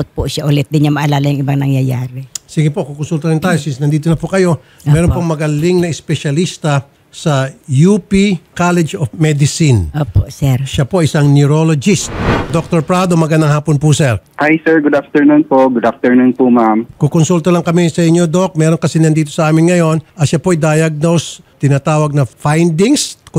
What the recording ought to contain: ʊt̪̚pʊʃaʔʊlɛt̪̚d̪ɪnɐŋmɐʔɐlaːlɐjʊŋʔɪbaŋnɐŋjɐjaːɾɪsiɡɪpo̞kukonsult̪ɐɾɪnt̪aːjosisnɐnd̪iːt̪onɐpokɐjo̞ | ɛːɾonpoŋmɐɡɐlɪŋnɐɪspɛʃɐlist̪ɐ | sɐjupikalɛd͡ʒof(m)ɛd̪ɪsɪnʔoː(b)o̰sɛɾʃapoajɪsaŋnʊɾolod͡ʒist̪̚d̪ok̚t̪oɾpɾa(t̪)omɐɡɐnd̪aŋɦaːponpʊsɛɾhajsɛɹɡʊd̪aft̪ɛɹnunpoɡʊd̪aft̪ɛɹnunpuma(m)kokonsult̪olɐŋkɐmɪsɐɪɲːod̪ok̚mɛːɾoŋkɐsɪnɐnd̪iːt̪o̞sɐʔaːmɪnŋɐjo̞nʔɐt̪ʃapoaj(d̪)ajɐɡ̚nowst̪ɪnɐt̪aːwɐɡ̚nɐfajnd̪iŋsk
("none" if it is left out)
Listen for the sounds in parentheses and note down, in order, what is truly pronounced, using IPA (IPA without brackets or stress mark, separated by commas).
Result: m, p, d̪, m, d̪